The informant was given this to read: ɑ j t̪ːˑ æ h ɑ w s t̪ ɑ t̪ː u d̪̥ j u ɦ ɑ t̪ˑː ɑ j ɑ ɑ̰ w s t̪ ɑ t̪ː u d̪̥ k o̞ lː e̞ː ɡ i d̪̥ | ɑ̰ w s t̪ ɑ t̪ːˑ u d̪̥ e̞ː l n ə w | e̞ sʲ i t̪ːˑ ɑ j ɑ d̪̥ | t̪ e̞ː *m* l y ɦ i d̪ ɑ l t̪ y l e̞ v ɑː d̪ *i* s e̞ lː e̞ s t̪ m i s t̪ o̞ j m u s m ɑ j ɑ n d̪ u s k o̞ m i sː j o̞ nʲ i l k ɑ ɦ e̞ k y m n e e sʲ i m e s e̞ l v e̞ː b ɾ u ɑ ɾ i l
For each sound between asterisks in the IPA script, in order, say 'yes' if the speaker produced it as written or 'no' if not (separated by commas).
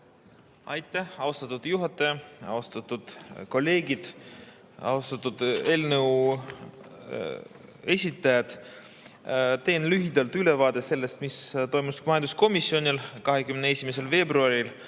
no, no